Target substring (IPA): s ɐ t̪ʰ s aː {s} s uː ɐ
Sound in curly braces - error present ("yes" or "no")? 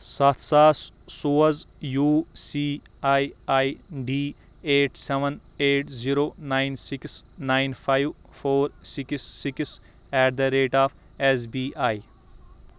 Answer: no